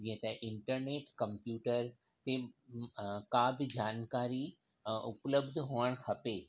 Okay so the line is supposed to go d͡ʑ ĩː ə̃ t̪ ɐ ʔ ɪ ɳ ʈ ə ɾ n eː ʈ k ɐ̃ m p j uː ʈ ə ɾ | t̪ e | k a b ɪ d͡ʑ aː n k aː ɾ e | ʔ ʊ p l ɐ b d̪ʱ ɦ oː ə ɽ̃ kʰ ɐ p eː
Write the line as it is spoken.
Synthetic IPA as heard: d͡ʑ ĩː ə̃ t̪ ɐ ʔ ɪ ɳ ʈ ə ɾ n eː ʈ k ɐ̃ m p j uː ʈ ə ɾ | t̪ e | k a b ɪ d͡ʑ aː n k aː ɾ i | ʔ ʊ p l ə b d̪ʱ ɦ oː ə ɽ̃ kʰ ɐ p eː